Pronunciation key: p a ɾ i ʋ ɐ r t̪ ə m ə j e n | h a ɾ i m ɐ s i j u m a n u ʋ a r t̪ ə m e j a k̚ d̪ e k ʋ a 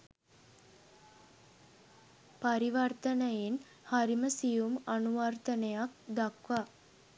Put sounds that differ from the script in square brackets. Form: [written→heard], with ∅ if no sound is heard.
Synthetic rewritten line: p a ɾ i ʋ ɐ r t̪ ə [m→n] ə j e n | h a ɾ i m [ɐ→ə] s i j u m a n u ʋ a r t̪ ə [m→n] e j a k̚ d̪ [e→a] k ʋ a

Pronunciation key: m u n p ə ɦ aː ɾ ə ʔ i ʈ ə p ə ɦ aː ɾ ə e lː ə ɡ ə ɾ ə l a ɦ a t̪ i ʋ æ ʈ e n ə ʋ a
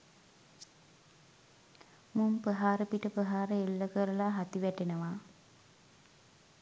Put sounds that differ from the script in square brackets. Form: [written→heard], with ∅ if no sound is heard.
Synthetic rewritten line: m u [n→m] p ə ɦ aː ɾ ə [ʔ→p] i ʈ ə p ə ɦ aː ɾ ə e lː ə [ɡ→k] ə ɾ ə l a ɦ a t̪ i ʋ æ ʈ e n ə ʋ a

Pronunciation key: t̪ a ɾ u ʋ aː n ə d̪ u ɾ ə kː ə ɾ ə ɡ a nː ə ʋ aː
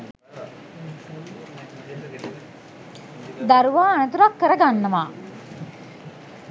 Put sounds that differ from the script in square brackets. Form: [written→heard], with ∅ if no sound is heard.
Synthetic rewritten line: [t̪→d̪] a ɾ u ʋ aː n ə [d̪→t̪] u ɾ [ə→a] kː ə ɾ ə ɡ a nː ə ʋ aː

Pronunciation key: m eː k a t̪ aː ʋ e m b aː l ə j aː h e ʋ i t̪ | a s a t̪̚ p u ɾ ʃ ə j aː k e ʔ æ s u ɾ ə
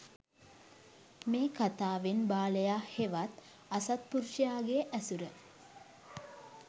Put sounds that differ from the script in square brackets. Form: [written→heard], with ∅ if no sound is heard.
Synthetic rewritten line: m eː k a t̪ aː ʋ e [m→n] b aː l ə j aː h e ʋ [i→a] t̪ | a s a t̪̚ p u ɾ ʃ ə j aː [k→ɡ] e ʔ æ s u ɾ ə

